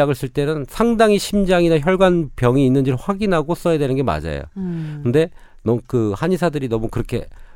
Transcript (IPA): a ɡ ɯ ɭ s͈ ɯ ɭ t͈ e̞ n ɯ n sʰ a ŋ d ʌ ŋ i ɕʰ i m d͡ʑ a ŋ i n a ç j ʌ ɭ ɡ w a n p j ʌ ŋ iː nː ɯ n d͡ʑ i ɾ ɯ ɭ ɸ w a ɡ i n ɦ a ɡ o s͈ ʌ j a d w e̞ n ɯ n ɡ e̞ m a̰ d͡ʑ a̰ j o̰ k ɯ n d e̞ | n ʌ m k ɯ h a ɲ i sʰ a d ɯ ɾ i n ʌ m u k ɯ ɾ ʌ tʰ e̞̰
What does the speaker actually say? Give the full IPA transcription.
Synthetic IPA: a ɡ ɯ ɭ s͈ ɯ ɭ t͈ e̞ n ɯ n sʰ a ŋ d a ŋ i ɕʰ i m d͡ʑ a ŋ i n a ç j ʌ ɭ ɡ w a n p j ʌ ŋ iː nː ɯ n d͡ʑ i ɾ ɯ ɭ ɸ w a ɡ i n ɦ a ɡ o s͈ ʌ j a d w e̞ n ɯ n ɡ e̞ m a̰ d͡ʑ a̰ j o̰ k ɯ n d e̞ | n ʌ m k ɯ h a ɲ i sʰ a d ɯ ɾ i n ʌ m u k ɯ ɾ ʌ kʰ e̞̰